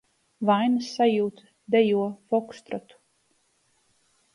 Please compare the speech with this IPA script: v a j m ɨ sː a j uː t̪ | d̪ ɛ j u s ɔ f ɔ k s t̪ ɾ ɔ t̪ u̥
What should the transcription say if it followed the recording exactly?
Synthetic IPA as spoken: v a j n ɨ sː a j uː t̪ | d̪ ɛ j u ɔ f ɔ k s t̪ ɾ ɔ t̪ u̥